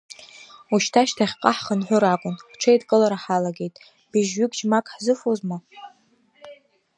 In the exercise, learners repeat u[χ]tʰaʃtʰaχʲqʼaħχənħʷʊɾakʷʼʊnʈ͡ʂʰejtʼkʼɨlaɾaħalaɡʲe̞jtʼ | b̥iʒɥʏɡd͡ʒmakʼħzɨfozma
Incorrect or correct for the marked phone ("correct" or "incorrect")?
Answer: incorrect